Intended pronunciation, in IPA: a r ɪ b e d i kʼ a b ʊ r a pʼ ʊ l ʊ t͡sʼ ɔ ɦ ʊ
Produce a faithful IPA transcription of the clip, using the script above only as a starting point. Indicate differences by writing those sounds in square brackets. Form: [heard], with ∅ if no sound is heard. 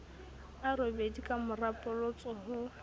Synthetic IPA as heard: a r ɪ b e d i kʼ a [m] ʊ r a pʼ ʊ l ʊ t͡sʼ ɔ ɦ ʊ